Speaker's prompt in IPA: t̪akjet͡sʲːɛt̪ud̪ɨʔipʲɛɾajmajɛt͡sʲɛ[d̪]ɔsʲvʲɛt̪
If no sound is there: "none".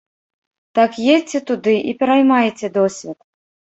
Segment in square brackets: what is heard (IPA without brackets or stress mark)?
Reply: d̪